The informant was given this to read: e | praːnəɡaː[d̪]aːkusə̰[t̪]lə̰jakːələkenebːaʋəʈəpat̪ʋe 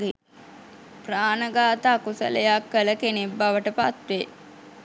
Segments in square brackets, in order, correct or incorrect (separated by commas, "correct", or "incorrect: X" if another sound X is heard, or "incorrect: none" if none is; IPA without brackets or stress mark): incorrect: t̪, incorrect: none